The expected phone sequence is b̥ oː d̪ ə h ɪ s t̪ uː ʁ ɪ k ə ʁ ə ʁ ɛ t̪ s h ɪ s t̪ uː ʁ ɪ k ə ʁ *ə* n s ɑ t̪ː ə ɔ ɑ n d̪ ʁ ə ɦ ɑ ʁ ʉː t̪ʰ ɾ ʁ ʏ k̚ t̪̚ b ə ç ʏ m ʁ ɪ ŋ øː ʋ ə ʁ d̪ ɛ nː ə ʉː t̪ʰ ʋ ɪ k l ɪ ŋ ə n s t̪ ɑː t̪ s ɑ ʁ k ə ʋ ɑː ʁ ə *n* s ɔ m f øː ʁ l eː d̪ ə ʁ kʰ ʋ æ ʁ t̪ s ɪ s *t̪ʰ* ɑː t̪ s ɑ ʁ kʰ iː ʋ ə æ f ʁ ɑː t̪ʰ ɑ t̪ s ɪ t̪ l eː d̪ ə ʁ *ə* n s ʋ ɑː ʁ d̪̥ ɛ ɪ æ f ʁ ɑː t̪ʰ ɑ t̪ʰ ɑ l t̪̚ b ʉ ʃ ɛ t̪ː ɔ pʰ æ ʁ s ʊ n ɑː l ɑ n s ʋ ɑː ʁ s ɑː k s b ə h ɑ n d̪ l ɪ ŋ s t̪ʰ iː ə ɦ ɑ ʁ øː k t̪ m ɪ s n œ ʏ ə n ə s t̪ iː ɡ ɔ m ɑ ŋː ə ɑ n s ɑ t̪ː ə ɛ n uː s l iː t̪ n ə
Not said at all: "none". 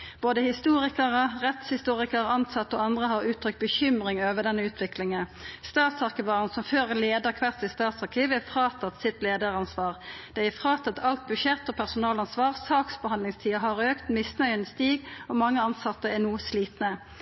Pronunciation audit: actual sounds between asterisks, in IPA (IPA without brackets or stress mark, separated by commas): ɑ, n, t̪, ɑ